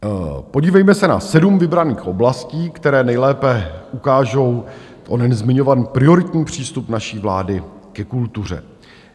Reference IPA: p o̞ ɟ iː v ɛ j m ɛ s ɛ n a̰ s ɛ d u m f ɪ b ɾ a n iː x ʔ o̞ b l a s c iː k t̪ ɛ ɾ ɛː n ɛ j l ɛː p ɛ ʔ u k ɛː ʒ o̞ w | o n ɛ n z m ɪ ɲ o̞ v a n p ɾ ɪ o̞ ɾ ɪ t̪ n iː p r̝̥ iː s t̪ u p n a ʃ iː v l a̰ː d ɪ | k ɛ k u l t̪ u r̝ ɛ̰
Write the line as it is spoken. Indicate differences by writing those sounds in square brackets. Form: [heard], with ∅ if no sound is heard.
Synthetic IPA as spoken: p o̞ ɟ iː v ɛ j m ɛ s ɛ n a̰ s ɛ d u m [v] ɪ b ɾ a n iː x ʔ o̞ b l a s c iː k t̪ ɛ ɾ ɛː n ɛ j l ɛː p ɛ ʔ u k [aː] ʒ o̞ w | o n ɛ n z m ɪ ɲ o̞ v a n p ɾ ɪ o̞ ɾ ɪ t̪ [ɲ] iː p r̝̥ iː s t̪ u p n a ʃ iː v l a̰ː d ɪ | k ɛ k u l t̪ u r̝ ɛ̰